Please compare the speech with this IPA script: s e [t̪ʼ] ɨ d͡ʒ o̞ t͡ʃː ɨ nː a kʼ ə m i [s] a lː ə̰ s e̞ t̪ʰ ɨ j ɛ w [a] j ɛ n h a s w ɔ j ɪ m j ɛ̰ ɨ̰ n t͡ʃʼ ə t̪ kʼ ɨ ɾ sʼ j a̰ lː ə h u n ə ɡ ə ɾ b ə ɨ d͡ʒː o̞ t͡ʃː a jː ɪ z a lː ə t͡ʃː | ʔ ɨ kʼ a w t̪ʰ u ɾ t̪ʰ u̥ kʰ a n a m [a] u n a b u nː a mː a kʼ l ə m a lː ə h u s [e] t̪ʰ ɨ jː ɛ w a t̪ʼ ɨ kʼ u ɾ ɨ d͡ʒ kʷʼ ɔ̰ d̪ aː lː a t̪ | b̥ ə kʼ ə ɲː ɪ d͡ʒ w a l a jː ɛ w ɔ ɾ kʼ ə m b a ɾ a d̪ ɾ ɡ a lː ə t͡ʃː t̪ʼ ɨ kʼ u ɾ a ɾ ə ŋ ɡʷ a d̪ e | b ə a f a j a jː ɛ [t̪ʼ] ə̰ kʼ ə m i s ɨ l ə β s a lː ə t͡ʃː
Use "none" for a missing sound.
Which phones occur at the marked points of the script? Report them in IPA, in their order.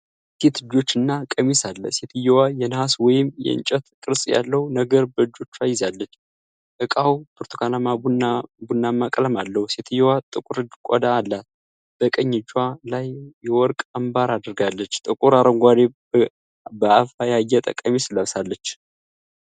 t̪, s, a, a, e, t̪ʼ

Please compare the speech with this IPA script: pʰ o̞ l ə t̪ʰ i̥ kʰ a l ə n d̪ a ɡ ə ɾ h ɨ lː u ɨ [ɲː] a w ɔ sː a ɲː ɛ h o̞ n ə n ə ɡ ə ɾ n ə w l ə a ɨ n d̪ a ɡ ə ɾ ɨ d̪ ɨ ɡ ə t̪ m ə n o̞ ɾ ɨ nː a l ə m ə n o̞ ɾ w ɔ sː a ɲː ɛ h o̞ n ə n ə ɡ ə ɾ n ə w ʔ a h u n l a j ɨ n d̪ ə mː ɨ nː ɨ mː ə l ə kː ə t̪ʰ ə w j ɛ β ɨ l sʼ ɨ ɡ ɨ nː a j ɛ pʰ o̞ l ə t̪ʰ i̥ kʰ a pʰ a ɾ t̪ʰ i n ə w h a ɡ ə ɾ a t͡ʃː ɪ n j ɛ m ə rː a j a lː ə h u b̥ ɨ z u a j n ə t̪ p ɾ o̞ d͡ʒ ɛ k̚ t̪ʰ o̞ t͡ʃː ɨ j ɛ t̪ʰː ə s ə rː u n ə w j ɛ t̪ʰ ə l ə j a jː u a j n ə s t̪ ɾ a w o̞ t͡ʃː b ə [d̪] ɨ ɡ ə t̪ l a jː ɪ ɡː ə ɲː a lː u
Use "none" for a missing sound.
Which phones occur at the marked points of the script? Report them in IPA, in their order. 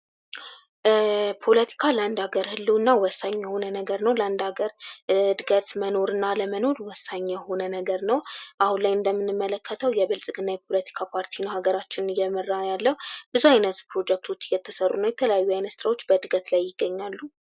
nː, d̪

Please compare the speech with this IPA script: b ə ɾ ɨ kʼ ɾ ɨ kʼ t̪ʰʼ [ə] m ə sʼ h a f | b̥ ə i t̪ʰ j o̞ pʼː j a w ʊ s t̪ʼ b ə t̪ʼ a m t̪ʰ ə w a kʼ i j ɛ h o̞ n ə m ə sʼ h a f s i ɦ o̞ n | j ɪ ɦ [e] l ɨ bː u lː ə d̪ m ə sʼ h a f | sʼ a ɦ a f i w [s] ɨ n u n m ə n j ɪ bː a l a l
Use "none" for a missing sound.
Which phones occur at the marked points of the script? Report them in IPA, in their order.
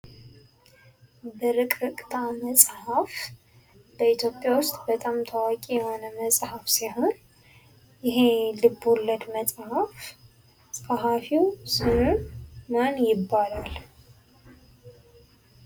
a, e, s

